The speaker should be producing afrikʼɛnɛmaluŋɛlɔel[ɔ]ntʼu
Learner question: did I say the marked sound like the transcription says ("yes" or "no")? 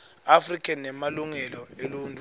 no